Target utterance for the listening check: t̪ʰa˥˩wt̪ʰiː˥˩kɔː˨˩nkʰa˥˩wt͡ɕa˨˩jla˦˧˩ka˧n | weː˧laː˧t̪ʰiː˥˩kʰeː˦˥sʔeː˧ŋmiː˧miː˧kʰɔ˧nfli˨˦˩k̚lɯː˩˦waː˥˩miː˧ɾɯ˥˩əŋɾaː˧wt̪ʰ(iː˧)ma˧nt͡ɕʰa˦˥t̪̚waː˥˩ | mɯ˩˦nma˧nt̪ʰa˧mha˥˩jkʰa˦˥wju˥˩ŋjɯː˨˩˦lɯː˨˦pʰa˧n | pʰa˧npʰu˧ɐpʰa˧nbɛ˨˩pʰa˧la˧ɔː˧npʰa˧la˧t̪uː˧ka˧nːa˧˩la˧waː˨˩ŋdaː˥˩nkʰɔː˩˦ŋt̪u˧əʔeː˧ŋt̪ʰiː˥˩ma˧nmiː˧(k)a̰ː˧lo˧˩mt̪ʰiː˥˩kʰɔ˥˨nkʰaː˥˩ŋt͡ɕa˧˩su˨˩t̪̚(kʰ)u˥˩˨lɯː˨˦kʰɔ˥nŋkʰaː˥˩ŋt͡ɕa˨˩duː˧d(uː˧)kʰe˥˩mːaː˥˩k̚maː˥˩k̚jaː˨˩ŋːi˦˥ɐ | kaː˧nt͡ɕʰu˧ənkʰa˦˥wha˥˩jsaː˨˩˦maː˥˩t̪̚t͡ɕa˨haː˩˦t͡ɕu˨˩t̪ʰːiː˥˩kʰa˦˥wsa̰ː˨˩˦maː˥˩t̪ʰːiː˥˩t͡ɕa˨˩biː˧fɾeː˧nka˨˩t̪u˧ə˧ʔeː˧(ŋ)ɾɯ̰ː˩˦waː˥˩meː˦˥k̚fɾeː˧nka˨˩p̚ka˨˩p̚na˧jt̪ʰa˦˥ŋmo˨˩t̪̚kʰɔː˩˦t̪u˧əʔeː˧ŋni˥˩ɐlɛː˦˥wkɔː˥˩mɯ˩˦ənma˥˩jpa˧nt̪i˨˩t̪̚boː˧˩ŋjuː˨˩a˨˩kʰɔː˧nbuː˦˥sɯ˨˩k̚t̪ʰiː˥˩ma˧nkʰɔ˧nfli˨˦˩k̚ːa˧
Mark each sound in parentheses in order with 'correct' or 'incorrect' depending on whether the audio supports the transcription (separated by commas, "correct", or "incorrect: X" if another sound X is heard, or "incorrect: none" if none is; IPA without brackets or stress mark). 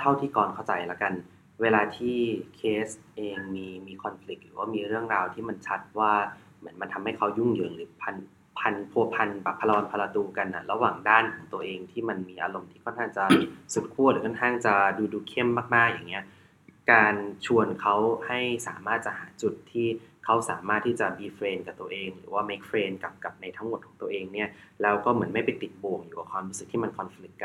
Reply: incorrect: iː˥˩, incorrect: ʔ, correct, correct, correct